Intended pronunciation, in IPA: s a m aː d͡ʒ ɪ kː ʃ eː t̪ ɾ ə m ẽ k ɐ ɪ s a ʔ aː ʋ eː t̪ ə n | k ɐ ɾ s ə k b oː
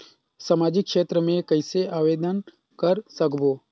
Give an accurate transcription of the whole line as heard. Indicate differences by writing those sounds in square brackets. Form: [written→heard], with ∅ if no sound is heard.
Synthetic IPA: s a m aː d͡ʒ ɪ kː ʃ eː t̪ ɾ ə m ẽ k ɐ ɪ s [a→e] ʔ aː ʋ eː [t̪→d̪] ə n | k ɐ ɾ s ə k b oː